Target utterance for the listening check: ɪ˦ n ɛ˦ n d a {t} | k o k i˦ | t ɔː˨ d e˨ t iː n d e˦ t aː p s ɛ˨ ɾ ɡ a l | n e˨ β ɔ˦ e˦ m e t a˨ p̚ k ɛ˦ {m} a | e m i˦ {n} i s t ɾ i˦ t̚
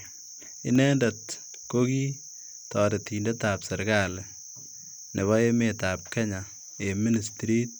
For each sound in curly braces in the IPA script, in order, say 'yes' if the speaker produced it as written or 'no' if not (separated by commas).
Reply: yes, no, yes